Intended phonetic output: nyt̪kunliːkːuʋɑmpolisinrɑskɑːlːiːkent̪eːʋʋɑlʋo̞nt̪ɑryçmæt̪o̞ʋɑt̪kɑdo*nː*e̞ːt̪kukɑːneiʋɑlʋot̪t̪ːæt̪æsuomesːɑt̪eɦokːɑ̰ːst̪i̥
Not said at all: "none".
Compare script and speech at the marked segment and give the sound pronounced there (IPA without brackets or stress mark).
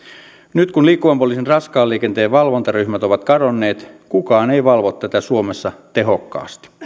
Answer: nː